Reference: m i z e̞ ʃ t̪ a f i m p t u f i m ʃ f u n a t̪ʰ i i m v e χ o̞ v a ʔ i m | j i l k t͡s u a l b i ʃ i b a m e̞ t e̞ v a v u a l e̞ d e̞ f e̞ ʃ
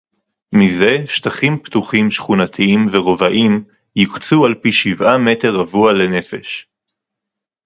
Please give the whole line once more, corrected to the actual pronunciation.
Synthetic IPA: m i z e̞ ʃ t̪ a χ i m p t u χ i m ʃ χ u n a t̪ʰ i i m v e ʁ o̞ v a ʔ i m | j i k t͡s u a l p i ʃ i v a m e̞ t e̞ ʁ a v u a l e̞ n e̞ f e̞ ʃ